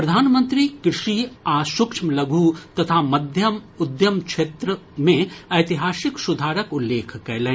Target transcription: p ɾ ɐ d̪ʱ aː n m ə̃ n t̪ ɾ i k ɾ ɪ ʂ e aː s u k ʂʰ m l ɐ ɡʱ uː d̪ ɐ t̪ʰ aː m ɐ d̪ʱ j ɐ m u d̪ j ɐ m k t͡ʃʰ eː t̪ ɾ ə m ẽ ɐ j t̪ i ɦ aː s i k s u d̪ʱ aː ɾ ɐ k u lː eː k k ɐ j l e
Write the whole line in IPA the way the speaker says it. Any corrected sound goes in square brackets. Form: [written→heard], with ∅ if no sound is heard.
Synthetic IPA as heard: p ɾ ɐ d̪ʱ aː n m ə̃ n t̪ ɾ i k ɾ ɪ ʂ [e→i] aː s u k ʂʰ m l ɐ ɡʱ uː [d̪→t̪] ɐ t̪ʰ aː m ɐ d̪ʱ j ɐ m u d̪ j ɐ m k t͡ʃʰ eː t̪ ɾ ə m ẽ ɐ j t̪ i ɦ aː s i k s u d̪ʱ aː ɾ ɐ k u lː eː [k→kʰ] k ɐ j l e